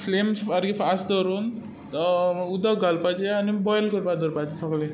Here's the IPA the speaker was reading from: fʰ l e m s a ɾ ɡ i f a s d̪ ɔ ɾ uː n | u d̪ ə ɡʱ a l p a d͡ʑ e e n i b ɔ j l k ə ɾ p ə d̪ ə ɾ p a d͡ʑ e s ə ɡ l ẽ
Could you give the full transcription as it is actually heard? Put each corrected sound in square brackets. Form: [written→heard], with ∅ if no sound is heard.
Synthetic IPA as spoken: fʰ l e m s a ɾ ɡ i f a s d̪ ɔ ɾ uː n | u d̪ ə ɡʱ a l p a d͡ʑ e [e→a] n i b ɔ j l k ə ɾ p [ə→a] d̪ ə ɾ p a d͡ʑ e s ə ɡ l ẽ